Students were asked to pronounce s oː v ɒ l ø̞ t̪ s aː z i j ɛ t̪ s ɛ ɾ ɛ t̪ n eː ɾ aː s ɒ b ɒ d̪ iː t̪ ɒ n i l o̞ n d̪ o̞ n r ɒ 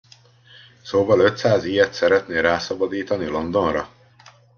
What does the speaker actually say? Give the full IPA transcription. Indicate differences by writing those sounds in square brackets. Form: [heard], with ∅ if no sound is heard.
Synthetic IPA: s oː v ɒ l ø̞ t̪ s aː z i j ɛ t̪ s ɛ ɾ ɛ t̪ n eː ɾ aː s ɒ b ɒ d̪ iː t̪ ɒ n i l o̞ n d̪ o̞ n r ɒ